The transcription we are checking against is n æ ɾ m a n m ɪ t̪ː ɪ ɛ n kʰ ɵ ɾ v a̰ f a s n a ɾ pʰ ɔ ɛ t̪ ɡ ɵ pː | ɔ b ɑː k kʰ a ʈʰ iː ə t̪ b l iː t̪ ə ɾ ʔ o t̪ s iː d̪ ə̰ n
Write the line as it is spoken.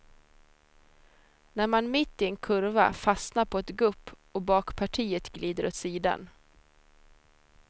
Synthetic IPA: n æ ɾ m a n m ɪ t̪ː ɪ ɛ n kʰ ɵ ɾ v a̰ f a s n a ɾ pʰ ɔ ɛ t̪ ɡ ɵ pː | ɔ b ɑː k pʰ a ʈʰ iː ə t̪ ɡ l iː d̪ ə ɾ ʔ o t̪ s iː d̪ a̰ n

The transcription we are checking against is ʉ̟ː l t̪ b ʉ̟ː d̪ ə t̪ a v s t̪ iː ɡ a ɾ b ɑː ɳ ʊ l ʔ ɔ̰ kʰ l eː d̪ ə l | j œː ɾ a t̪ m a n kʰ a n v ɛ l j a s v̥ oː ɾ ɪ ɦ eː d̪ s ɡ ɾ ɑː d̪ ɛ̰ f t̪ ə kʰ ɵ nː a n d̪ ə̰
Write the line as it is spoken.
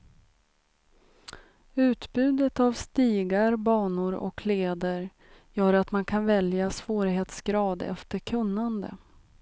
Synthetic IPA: ʉ̟ː t̪ b ʉ̟ː d̪ ə t̪ a v s t̪ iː ɡ a ɾ b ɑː ɳ ʊ ɾ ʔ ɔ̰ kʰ l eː d̪ ə ɾ | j œː ɾ a t̪ m a n kʰ a n v ɛ l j a s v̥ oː ɾ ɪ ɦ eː t̪ s ɡ ɾ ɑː d̪ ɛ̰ f t̪ ə kʰ ɵ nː a n d̪ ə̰

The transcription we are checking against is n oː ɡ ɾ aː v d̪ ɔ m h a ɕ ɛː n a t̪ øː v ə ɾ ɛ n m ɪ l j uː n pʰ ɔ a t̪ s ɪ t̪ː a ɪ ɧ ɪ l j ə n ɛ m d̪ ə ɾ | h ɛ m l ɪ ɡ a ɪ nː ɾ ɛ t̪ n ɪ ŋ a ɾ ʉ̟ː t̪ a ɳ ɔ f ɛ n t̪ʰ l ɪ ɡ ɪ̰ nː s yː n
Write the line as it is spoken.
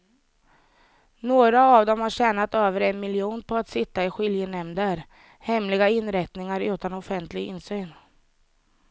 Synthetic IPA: n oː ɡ ɾ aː v d̪ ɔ m h a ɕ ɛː n a t̪ øː v ə ɾ ɛ n m ɪ l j uː n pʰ ɔ a t̪ s ɪ t̪ː a ɪ ɧ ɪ l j ə n ɛ m d̪ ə ɾ | h ɛ m l ɪ ɡ a ɪ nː ɾ ɛ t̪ n ɪ ŋ a ɾ ʉ̟ː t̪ a n ɔ f ɛ n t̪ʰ l ɪ ɡ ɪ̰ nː s yː n

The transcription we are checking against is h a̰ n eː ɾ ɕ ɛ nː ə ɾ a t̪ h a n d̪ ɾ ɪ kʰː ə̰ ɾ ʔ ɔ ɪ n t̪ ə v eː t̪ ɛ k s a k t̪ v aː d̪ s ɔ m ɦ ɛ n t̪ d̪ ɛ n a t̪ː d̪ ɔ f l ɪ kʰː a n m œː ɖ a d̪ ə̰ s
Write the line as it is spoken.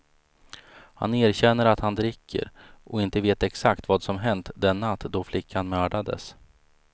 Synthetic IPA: h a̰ n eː ɾ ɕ ɛ nː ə ɾ a t̪ h a n d̪ ɾ ɪ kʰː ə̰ ɾ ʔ ɔ ɪ n t̪ ə v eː t̪ ɛ k s a k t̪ v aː d̪ s ɔ m ɦ ɛ n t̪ d̪ ɛ nː a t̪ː d̪ ɔ f l ɪ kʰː a n m œː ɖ a d̪ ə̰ s

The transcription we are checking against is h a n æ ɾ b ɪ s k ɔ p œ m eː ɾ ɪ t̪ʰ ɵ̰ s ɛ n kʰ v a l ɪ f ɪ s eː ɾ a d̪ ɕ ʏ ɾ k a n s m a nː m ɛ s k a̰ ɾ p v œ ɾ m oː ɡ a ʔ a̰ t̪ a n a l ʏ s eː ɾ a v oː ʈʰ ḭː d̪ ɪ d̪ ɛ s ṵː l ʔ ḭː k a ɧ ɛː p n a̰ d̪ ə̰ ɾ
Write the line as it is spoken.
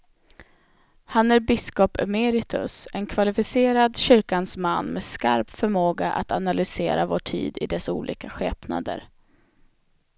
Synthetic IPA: h a n æ ɾ b ɪ s k ɔ p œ m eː ɾ ɪ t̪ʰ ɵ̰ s ɛ n kʰ v a l ɪ f ɪ s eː ɾ a d̪ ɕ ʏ ɾ k a n s m a nː m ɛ s k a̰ ɾ p f œ ɾ m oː ɡ a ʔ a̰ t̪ a n a l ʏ s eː ɾ a v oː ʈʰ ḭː d̪ ɪ d̪ ɛ s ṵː l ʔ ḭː k a ɧ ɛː p n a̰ d̪ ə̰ ɾ

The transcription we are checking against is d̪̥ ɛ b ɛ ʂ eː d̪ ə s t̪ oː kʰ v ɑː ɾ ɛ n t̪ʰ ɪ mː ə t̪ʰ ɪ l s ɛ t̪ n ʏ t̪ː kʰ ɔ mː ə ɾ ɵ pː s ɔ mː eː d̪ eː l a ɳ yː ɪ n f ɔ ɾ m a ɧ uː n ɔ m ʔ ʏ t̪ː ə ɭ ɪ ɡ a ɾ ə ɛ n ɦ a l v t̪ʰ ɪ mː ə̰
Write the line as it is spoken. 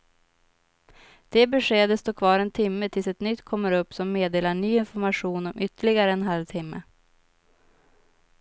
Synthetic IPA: d̪̥ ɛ b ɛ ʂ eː d̪ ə s t̪ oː kʰ v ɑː ɾ ɛ n t̪ʰ ɪ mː ə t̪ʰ ɪ l s ɛ t̪ n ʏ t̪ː kʰ ɔ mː ə ɾ ɵ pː s ɔ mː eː d̪ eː l a ɳ yː ɪ n f ɔ ɾ m a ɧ uː n ɔ m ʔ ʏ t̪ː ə ɭ ɪ ɡ a ɾ ə ɛ n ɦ a l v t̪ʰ ɪ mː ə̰

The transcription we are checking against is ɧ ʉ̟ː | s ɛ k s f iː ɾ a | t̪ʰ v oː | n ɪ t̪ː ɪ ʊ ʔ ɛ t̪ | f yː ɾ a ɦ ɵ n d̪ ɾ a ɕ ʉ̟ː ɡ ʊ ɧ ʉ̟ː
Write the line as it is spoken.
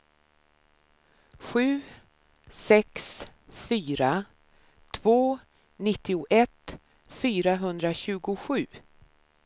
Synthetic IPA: ɧ ʉ̟ː | s ɛ k s f yː ɾ a | t̪ʰ v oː | n ɪ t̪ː ɪ ʊ ʔ ɛ t̪ | f yː ɾ a ɦ ɵ n d̪ ɾ a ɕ ʉ̟ː ɡ ʊ ɧ ʉ̟ː

